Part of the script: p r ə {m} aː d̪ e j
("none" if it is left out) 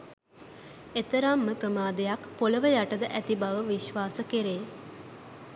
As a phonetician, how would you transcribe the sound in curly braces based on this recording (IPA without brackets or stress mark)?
m